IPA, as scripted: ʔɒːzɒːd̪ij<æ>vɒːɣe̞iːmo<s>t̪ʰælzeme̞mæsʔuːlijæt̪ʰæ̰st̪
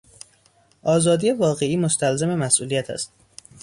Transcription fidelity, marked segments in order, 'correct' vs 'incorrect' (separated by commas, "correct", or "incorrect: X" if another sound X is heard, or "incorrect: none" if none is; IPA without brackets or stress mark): incorrect: e, correct